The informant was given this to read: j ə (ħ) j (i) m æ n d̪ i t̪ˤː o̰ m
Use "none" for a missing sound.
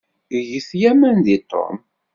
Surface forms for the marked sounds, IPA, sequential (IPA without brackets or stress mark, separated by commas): θ, æ